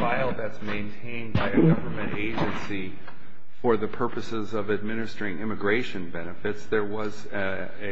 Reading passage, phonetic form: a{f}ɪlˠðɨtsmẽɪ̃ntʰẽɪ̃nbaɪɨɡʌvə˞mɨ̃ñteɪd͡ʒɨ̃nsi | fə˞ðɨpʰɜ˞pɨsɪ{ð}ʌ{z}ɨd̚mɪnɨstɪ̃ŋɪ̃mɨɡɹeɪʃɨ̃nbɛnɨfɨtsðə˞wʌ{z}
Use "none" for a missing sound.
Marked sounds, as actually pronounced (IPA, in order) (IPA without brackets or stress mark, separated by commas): none, z, v, z